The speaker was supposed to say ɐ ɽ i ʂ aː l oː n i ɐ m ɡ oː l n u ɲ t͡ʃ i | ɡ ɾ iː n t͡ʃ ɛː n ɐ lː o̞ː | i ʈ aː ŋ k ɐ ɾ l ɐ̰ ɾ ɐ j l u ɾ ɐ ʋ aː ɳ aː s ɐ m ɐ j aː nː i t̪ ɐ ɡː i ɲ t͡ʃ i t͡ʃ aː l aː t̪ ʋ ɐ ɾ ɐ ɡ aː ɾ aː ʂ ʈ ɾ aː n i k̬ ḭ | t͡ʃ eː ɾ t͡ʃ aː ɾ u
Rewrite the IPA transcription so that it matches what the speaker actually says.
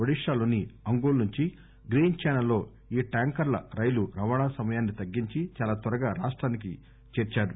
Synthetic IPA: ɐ ɽ i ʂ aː l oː n i ɐ ŋ ɡ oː l n u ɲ t͡ʃ i | ɡ ɾ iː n t͡ʃ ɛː n ɐ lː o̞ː | iː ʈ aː ŋ k ɐ ɾ l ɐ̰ ɾ ɐ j l u ɾ ɐ ʋ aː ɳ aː s ɐ m ɐ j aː nː i t̪ ɐ ɡː i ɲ t͡ʃ i t͡ʃ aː l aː t̪ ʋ ɐ ɾ ɐ ɡ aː ɾ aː ʂ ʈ ɾ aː n i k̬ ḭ | t͡ʃ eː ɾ t͡ʃ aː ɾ u

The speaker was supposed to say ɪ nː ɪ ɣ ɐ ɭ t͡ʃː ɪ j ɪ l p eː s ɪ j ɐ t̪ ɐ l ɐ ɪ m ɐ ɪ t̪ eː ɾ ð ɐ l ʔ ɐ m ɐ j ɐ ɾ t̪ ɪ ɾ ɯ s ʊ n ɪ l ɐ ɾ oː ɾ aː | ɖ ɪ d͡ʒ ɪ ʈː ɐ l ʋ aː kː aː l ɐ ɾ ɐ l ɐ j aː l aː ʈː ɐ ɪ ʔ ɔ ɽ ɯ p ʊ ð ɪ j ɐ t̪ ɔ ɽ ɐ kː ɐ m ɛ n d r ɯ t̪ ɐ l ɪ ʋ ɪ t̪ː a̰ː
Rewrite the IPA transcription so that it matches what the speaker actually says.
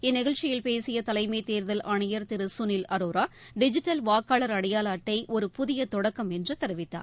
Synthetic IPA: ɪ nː ɪ ɣ ɐ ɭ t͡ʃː ɪ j ɪ l p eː s ɪ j ɐ t̪ ɐ l ɐ ɪ m ɐ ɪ t̪ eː ɾ ð ɐ l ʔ ɐ ɳ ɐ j ɐ ɾ t̪ ɪ ɾ ɯ s ʊ n ɪ l ɐ ɾ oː ɾ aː | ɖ ɪ d͡ʒ ɪ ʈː ɐ l ʋ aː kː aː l ɐ ɾ ɐ ɽ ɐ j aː l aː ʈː ɐ ɪ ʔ ɔ ɾ ɯ p ʊ ð ɪ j ɐ t̪ ɔ ɽ ɐ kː ɐ m ɛ n d r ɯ t̪ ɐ ɾ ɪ ʋ ɪ t̪ː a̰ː

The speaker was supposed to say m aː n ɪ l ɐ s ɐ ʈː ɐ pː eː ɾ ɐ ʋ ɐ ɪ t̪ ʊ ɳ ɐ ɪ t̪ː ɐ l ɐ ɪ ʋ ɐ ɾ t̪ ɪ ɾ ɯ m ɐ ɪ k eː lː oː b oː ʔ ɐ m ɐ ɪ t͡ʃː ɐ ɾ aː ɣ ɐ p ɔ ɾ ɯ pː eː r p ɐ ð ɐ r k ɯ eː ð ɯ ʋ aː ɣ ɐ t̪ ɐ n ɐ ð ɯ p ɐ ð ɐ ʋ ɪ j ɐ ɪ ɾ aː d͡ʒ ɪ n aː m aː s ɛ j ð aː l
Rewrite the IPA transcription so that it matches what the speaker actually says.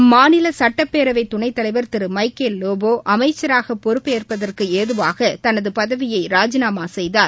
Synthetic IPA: m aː n ɪ l ɐ s ɐ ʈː ɐ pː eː ɾ ɐ ʋ ɐ ɪ t̪ ʊ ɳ ɐ ɪ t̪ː ɐ l ɐ ɪ ʋ ɐ ɾ t̪ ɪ ɾ ɯ m ɐ ɪ k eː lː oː b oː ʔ ɐ m ɐ ɪ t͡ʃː ɐ ɾ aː ɣ ɐ p ɔ ɾ ɯ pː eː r p ɐ ð ɐ r k ɯ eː ð ɯ ʋ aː ɣ ɐ t̪ ɐ n ɐ ð ɯ p ɐ ð ɐ ʋ ɪ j ɐ ɪ ɾ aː d͡ʒ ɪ n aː m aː s ɛ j ð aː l

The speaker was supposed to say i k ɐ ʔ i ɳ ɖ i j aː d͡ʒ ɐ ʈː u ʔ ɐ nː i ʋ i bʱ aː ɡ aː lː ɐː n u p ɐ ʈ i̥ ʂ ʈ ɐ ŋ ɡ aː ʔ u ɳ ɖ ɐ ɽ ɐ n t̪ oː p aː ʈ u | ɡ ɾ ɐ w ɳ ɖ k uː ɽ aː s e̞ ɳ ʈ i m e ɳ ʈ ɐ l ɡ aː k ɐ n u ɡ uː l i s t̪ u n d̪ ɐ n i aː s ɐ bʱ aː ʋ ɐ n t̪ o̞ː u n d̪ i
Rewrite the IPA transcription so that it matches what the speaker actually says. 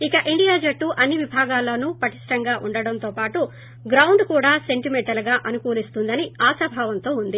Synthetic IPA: i k ɐ ʔ i ɳ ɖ i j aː d͡ʒ ɐ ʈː u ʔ ɐ nː i ʋ i bʱ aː ɡ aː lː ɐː n u p ɐ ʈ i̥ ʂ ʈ ɐ ŋ ɡ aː ʔ u ɳ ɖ ɐ ɽ ɐ n t̪ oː p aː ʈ u | ɡ ɾ ɐ w ɳ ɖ k uː ɽ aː s e̞ ɳ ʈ i m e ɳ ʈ ɐ l ɡ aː ʔ ɐ n u k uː l i s t̪ u n d̪ ɐ n i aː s ɐ bʱ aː ʋ ɐ n t̪ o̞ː u n d̪ i

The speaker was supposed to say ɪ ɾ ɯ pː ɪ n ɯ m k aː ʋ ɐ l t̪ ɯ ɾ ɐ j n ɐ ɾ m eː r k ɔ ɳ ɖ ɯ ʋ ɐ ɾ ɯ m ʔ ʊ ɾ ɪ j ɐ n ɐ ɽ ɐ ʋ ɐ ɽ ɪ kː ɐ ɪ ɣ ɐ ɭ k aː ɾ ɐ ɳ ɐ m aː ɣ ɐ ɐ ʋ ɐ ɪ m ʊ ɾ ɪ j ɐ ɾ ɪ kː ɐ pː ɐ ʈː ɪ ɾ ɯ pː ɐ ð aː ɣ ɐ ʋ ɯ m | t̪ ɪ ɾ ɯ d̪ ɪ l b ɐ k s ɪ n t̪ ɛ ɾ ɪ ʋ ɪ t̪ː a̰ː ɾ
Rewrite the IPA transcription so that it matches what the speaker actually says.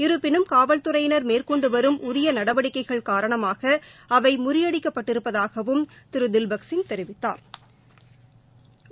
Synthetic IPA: ɪ ɾ ɯ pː ɪ n ɯ m k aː ʋ ɐ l t̪ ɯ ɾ ɐ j n ɐ ɾ m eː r k ɔ ɳ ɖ ɯ ʋ ɐ ɾ ɯ m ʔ ʊ ɾ ɪ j ɐ n ɐ ɽ ɐ ʋ ɐ ɽ ɪ kː ɐ ɪ ɣ ɐ ɭ k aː ɾ ɐ ɳ ɐ m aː ɣ ɐ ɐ ʋ ɐ ɪ m ʊ ɾ ɪ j ɐ ɽ ɪ kː ɐ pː ɐ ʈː ɪ ɾ ɯ pː ɐ ð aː ɣ ɐ ʋ ɯ m | t̪ ɪ ɾ ɯ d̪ ɪ l b ɐ k s ɪ n t̪ ɛ ɾ ɪ ʋ ɪ t̪ː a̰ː ɾ

